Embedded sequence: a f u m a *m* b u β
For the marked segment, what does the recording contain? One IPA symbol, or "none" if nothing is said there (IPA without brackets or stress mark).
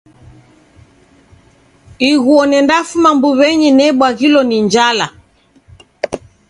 m